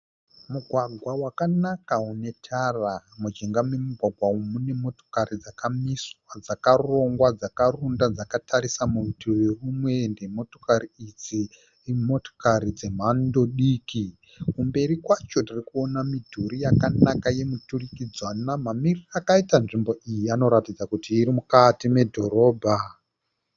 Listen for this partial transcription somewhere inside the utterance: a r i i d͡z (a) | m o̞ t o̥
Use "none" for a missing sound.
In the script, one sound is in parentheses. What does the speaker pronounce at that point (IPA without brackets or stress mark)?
i